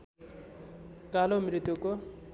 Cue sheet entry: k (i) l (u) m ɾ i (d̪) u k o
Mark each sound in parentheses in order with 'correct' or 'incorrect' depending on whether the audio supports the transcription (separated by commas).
incorrect, incorrect, incorrect